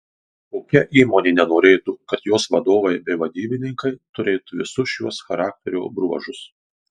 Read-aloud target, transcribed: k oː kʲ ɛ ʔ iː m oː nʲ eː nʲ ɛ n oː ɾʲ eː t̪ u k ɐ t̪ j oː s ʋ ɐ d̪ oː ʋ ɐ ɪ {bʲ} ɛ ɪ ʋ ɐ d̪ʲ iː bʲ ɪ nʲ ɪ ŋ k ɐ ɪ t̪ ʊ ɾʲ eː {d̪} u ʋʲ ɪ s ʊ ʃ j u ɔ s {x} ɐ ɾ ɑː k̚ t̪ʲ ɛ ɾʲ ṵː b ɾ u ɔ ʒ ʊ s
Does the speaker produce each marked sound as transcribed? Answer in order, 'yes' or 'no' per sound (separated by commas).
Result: yes, no, yes